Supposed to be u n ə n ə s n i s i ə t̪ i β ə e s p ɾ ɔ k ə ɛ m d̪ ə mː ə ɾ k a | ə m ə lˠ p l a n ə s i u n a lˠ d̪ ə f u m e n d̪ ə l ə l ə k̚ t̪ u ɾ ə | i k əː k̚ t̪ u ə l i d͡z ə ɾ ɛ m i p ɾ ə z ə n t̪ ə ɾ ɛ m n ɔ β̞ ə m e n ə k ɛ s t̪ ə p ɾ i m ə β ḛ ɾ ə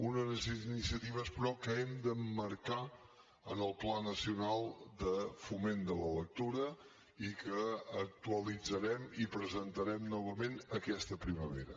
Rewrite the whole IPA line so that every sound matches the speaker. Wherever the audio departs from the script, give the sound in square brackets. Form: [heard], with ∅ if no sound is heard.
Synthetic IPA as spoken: u n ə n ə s n i s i ə t̪ i β ə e s p ɾ ɔ k ə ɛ m d̪ ə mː ə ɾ k a | ə [n] ə lˠ p l a n ə s i u n a lˠ d̪ ə f u m e n d̪ ə l ə l ə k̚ t̪ u ɾ ə | i k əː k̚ t̪ u ə l i d͡z ə ɾ ɛ m i p ɾ ə z ə n t̪ ə ɾ ɛ m n ɔ β̞ ə m e n ə k ɛ s t̪ ə p ɾ i m ə β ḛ ɾ ə